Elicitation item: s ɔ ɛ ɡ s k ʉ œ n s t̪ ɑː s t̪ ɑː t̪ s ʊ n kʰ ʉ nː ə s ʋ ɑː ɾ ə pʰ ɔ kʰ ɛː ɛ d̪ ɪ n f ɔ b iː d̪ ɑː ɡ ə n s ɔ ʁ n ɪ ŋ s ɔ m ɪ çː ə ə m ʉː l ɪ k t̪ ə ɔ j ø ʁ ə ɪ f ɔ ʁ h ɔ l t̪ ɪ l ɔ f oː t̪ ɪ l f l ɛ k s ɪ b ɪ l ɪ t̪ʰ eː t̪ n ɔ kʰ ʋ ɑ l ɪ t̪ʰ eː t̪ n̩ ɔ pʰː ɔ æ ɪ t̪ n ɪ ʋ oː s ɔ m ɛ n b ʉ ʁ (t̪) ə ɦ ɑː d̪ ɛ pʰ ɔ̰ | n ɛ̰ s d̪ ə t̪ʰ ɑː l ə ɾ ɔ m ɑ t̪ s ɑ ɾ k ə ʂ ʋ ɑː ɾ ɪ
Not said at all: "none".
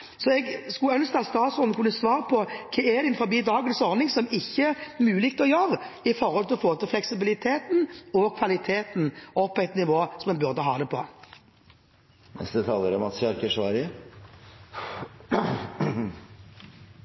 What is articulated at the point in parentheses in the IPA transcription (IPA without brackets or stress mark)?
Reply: d̪